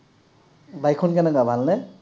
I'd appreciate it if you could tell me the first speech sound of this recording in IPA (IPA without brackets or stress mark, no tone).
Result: b